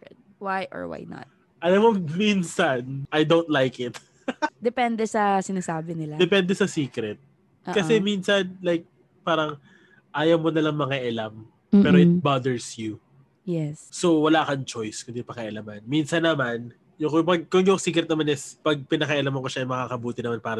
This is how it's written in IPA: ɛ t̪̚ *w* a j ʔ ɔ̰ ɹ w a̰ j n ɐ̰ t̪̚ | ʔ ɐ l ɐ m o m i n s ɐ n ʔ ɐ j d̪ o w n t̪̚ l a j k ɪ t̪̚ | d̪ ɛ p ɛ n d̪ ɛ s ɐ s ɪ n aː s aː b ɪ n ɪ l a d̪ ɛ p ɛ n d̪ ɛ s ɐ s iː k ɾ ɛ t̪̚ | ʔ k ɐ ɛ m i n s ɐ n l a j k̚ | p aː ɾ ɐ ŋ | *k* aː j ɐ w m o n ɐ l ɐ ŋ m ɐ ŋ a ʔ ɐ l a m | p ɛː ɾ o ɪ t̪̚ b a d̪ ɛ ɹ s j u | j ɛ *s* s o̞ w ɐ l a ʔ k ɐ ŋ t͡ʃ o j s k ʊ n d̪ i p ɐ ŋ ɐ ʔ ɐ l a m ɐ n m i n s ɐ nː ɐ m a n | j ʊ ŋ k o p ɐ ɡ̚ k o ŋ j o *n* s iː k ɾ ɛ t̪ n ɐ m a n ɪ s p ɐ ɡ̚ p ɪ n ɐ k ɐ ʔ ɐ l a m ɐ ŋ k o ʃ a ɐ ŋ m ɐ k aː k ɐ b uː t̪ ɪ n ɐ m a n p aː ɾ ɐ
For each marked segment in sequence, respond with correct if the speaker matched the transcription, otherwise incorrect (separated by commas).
correct, incorrect, correct, incorrect